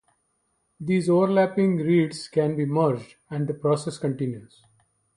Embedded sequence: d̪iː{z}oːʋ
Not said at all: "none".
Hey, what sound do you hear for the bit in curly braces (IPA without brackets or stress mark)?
z